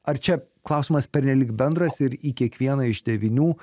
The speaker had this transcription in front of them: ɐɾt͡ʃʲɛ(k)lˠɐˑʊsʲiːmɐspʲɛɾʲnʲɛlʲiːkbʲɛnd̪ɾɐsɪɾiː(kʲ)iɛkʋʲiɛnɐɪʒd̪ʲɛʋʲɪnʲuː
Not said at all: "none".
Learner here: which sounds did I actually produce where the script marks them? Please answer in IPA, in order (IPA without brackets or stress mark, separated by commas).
k, kʲ